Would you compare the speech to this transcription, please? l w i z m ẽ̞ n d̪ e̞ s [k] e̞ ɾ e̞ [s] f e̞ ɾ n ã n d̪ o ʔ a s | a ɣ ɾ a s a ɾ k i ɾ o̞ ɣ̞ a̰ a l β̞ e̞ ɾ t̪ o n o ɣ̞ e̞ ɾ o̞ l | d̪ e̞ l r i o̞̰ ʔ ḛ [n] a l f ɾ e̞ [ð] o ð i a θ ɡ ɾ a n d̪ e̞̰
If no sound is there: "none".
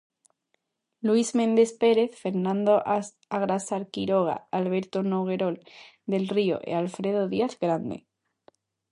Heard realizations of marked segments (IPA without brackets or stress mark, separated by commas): p, θ, none, ð